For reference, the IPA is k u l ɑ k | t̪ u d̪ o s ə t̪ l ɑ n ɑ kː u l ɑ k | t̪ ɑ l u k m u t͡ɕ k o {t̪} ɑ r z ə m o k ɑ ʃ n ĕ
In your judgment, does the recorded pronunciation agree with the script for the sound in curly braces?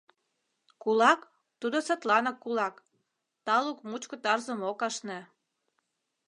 yes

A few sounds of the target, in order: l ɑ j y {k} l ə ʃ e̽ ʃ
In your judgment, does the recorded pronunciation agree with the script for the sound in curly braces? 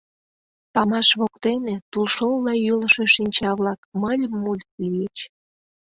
no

